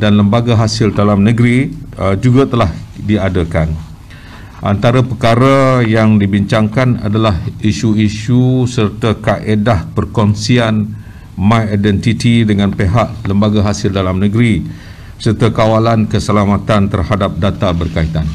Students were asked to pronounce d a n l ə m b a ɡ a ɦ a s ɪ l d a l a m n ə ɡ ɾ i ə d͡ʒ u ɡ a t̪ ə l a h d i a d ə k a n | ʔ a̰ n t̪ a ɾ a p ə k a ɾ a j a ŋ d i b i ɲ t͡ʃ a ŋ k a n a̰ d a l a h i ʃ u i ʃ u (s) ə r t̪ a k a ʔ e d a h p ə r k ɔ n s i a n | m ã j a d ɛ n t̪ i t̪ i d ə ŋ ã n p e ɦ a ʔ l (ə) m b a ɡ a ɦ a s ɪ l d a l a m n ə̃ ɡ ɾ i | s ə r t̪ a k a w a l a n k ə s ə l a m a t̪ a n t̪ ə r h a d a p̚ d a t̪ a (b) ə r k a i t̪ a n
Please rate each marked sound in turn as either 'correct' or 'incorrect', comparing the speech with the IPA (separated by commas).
correct, correct, correct